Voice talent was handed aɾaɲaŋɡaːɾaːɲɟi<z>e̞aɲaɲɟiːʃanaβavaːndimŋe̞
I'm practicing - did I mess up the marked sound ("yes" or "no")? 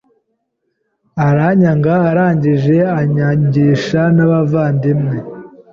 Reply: yes